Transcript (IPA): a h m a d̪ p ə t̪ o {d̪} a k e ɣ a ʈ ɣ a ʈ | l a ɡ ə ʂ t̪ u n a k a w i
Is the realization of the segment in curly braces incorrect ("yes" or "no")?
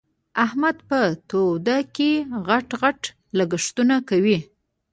no